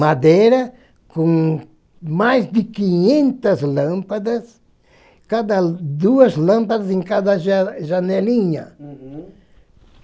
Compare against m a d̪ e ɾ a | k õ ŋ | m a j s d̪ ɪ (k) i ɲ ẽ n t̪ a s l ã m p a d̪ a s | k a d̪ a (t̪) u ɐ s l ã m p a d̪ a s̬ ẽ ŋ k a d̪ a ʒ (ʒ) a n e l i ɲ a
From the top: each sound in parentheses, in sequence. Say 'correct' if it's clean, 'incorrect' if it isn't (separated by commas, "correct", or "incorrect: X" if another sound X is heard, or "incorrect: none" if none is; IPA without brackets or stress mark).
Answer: correct, incorrect: d̪, correct